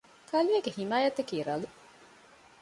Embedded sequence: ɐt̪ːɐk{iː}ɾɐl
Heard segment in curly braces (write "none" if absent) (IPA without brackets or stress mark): iː